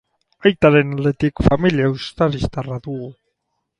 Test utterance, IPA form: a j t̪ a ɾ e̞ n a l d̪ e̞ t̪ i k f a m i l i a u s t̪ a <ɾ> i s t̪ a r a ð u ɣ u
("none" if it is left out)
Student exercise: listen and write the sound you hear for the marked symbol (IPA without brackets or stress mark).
ɾ